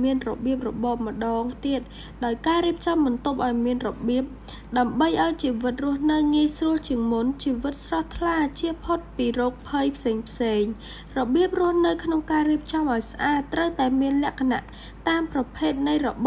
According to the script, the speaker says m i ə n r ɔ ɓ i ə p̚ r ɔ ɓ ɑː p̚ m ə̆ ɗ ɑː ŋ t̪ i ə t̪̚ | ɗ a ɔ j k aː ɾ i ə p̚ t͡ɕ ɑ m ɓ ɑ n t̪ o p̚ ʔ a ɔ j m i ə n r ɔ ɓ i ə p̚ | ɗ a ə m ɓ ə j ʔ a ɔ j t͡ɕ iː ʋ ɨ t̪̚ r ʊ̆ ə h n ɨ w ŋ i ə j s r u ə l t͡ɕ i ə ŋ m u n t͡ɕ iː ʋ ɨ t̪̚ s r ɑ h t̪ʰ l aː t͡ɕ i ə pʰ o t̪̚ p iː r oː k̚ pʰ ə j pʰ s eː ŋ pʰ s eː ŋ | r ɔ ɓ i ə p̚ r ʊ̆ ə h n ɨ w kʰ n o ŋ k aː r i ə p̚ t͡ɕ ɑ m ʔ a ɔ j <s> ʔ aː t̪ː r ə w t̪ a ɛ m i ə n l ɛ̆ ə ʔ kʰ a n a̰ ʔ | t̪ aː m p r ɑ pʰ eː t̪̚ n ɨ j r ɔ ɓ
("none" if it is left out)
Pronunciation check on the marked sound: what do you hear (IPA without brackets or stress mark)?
s